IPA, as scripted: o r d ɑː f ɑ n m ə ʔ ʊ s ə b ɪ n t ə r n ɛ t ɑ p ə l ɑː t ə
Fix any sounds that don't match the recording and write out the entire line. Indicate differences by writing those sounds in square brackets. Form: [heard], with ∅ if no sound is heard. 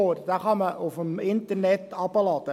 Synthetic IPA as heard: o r d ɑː [χ] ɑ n m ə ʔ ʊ [f] ə [m] ɪ n t ə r n ɛ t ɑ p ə l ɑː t ə